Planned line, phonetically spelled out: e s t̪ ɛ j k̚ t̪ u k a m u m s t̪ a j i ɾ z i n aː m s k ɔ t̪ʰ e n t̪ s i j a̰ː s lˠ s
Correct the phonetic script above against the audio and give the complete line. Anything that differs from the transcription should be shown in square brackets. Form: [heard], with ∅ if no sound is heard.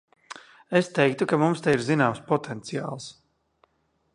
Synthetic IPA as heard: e s t̪ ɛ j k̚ t̪ u k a m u m s t̪ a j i ɾ z i n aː m s [p] ɔ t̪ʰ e n t̪ s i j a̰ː [∅] lˠ s